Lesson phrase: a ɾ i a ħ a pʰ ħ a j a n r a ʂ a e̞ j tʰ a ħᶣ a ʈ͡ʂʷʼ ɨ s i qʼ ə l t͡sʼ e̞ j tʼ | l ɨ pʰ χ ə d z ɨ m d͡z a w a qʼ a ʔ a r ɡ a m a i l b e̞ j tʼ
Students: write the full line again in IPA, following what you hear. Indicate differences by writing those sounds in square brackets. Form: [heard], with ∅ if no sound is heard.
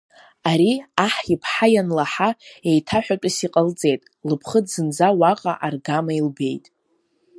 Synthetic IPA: a ɾ i a ħ [i] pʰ ħ a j a n [l] a [ħ] a e̞ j tʰ a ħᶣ a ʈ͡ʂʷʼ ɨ s i qʼ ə l t͡sʼ e̞ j tʼ | l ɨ pʰ χ ə d z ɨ [n] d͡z a w a qʼ a ʔ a r ɡ a m a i l b e̞ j tʼ